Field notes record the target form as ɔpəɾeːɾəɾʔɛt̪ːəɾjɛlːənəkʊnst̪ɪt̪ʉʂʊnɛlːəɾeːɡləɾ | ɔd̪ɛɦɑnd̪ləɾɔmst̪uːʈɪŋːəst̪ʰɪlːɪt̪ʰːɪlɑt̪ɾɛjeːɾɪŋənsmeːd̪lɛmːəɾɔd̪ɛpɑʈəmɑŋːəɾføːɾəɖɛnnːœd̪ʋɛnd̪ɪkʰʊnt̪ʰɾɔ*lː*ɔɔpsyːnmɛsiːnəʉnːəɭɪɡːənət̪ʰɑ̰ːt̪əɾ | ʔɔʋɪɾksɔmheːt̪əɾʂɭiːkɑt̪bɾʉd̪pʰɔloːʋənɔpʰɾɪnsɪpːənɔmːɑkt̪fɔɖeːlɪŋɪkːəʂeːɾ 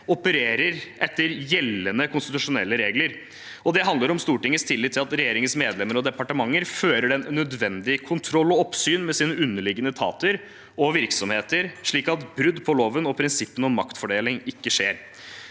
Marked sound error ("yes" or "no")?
no